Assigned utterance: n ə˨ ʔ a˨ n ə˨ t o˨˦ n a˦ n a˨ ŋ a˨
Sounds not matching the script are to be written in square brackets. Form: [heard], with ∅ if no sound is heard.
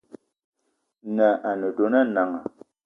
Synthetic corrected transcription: n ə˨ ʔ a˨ n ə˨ [d] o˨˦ n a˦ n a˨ ŋ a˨